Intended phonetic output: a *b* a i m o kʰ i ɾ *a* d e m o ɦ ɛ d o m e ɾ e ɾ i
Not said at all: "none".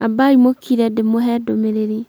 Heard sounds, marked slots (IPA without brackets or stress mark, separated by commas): b, ɛ